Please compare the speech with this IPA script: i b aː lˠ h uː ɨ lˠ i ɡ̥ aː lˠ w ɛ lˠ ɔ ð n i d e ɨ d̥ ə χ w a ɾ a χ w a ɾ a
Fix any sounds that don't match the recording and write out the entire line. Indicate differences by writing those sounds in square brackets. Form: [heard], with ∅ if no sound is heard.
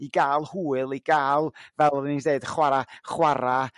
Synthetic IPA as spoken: i [ɡ] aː lˠ h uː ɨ lˠ i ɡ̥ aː lˠ [v] ɛ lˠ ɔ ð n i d e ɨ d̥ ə χ w a ɾ a χ w a ɾ a

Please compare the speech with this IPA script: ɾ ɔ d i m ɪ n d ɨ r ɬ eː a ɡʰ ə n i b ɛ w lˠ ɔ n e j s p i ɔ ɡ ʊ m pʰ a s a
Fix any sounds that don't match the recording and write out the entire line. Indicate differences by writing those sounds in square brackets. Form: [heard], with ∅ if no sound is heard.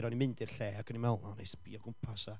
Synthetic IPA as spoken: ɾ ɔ [n] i m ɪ n d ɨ r ɬ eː a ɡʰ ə n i [m] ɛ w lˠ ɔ n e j s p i ɔ ɡ ʊ m pʰ a s a

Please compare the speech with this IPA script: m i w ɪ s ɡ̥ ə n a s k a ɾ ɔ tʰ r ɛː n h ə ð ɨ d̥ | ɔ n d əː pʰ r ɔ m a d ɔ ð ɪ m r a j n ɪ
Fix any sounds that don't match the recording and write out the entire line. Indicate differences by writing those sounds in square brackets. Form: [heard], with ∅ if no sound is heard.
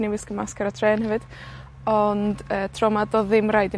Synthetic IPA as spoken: [n] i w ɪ s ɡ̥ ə [m] a s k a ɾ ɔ tʰ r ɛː n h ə [v] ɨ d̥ | ɔ n d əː [tʰ] r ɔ m a d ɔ ð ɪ m r a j [d] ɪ

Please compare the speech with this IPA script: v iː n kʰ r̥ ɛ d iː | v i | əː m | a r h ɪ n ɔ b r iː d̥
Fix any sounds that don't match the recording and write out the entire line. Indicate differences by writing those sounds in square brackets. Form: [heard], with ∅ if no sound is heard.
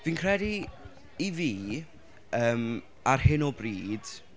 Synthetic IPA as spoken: v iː n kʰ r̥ ɛ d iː | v [iː] | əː m | a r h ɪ n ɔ b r iː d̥

